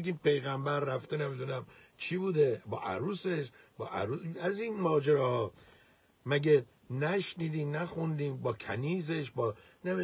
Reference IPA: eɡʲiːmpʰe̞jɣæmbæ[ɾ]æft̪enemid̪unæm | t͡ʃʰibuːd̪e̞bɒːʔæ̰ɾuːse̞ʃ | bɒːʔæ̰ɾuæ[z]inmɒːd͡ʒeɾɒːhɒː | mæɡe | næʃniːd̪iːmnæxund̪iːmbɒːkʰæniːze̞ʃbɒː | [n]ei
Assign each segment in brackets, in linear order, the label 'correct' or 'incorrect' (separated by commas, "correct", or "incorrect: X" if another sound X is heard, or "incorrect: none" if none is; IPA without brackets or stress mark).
incorrect: ɾː, correct, correct